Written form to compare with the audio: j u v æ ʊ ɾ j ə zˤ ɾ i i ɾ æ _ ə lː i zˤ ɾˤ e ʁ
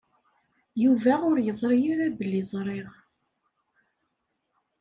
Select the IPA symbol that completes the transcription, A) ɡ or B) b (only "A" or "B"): B